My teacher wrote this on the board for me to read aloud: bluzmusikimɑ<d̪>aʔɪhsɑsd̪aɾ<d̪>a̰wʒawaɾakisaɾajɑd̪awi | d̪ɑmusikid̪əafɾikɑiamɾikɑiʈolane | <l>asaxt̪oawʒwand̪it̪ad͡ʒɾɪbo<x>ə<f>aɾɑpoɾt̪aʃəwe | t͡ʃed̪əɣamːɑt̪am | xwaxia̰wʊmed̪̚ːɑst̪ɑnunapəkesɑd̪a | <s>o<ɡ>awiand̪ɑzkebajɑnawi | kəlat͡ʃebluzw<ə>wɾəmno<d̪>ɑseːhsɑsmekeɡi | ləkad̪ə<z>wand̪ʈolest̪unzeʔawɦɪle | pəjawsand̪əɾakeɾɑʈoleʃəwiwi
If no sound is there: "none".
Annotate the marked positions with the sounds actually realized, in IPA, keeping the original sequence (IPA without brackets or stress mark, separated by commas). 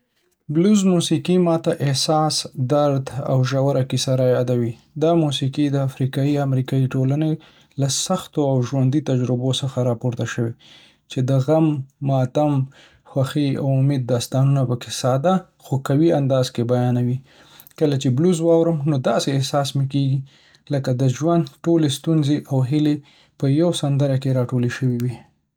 t̪, d̪, l, s, x, x, k, ɑ, d̪, ʒ